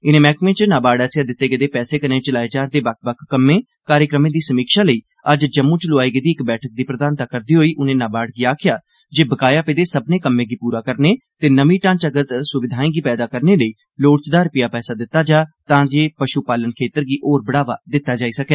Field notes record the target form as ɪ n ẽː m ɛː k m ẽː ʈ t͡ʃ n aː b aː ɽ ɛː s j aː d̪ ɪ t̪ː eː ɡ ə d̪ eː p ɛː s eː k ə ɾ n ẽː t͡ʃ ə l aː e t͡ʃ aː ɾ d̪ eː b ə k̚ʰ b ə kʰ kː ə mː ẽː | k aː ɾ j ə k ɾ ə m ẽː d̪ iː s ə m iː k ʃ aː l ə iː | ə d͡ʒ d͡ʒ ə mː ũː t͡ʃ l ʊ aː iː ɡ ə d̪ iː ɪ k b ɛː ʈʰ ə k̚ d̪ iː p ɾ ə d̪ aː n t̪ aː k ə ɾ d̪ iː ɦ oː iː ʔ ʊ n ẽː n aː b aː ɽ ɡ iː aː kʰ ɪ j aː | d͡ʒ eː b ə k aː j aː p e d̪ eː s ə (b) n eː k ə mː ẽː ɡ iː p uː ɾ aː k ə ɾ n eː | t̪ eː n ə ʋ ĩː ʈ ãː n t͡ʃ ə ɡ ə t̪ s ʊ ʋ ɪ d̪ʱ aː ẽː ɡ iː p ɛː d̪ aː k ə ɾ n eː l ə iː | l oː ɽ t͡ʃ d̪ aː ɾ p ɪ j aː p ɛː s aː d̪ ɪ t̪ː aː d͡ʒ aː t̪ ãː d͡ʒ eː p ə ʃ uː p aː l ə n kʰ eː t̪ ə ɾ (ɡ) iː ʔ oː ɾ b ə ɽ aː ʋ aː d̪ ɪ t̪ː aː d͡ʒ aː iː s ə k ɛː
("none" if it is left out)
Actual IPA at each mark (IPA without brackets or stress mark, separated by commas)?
b, ɡ